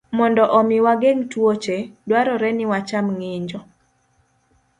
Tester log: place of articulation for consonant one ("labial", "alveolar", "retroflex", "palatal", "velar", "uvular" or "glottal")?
labial